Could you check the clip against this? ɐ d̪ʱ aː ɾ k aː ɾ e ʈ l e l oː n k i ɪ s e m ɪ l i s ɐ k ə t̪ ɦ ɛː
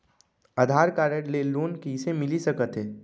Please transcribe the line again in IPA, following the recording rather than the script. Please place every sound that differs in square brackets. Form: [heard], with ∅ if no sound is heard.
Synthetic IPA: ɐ d̪ʱ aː ɾ k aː ɾ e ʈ l e l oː n k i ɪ s e m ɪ l i s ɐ k ə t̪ ɦ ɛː